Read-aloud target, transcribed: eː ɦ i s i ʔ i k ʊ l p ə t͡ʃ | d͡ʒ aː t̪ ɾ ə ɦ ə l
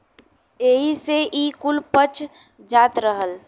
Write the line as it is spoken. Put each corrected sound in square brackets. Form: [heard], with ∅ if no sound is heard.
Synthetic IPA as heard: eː ɦ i s [e] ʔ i k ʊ l p ə t͡ʃ | d͡ʒ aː t̪ ɾ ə ɦ ə l